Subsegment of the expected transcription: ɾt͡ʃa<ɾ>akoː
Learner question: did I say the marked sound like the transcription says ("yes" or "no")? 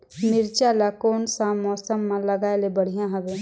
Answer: no